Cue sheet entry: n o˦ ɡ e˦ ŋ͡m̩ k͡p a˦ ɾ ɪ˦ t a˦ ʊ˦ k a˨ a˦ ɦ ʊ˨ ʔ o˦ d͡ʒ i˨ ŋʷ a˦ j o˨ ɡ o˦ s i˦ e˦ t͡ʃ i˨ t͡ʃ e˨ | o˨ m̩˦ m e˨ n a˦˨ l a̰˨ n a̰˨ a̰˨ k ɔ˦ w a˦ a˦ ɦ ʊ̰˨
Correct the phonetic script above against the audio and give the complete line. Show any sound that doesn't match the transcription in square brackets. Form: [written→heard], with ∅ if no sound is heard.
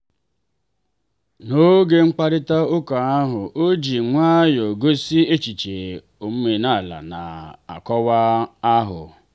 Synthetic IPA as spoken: n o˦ ɡ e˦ ŋ͡m̩ k͡p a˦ ɾ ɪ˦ t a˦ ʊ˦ k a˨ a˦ ɦ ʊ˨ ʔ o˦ d͡ʒ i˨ ŋʷ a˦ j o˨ ɡ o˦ s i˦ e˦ t͡ʃ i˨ t͡ʃ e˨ | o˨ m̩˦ m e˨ n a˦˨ l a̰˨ n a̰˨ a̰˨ k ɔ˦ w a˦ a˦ ɦ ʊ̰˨